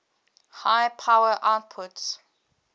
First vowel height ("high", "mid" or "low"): low